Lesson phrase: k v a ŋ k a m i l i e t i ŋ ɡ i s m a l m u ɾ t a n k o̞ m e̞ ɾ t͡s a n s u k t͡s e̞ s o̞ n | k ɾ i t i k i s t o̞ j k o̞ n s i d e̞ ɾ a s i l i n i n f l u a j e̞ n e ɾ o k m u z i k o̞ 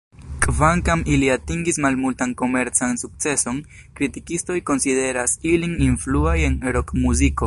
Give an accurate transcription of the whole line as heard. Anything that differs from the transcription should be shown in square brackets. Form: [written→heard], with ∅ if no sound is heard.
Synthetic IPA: k v a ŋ k a m i l i [e→a] t i ŋ ɡ i s m a l m u [ɾ→l] t a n k o̞ m e̞ ɾ t͡s a n s u k t͡s e̞ s o̞ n | k ɾ i t i k i s t o̞ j k o̞ n s i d e̞ ɾ a s i l i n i n f l u a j e̞ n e ɾ o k m u z i k o̞